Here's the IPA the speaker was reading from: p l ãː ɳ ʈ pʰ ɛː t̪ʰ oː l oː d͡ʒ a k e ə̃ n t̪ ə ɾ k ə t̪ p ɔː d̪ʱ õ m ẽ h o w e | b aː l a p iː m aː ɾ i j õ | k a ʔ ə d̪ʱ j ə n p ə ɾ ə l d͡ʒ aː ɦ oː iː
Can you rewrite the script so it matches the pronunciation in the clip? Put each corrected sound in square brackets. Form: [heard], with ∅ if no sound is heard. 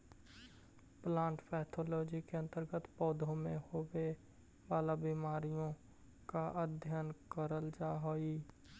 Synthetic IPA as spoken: p l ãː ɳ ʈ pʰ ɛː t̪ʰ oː l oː d͡ʒ [i] k e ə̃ n t̪ ə ɾ [ɡ] ə t̪ p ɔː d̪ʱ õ m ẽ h o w e | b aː l a [b] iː m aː ɾ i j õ | k a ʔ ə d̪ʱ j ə n [k] ə ɾ ə l d͡ʒ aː ɦ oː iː

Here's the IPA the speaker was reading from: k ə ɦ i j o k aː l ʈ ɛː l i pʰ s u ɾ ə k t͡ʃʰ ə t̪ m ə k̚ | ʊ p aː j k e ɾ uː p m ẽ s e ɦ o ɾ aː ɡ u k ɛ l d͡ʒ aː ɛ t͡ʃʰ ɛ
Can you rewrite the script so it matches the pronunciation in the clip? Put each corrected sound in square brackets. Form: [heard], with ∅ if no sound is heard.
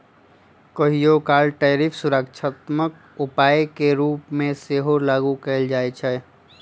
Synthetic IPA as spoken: k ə ɦ i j o k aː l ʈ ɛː [ɾ] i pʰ s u ɾ ə k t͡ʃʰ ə t̪ m ə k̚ | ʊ p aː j k e ɾ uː p m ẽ s e ɦ o [l] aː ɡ u k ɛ l d͡ʒ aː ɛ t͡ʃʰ ɛ

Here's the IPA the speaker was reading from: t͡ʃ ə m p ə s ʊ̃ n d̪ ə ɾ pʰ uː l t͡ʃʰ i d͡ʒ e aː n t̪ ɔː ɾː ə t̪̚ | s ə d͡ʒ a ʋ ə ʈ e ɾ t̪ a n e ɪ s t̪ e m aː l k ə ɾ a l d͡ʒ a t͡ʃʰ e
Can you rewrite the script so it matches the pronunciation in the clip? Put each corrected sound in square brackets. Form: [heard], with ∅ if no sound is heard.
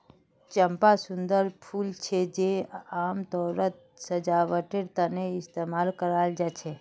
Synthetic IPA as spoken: t͡ʃ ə m p [a] s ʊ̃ n d̪ ə ɾ pʰ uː l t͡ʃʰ [e] d͡ʒ e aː [m] t̪ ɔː [ɾ] ə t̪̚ | s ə d͡ʒ a ʋ ə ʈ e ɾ t̪ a n e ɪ s t̪ e m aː l k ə ɾ a l d͡ʒ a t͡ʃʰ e

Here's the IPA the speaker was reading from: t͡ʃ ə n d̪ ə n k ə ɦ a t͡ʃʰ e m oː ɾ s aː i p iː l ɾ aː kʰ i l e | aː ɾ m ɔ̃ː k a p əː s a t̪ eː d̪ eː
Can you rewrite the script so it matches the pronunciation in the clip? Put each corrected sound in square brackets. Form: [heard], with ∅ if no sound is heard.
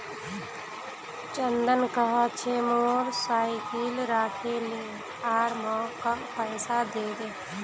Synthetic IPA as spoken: t͡ʃ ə n d̪ ə n k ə ɦ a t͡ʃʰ e m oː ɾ s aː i [k] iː l ɾ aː kʰ [e] l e | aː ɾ m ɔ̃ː k a p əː s a [d̪] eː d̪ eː

